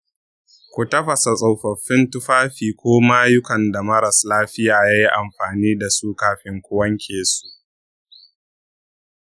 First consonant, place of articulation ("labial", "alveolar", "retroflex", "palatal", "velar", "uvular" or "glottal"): velar